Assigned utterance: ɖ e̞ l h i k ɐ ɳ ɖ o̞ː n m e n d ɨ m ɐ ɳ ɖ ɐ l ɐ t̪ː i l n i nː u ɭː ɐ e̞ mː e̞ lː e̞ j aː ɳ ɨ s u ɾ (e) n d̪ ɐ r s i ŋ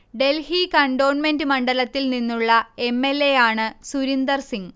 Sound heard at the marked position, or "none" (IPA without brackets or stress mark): i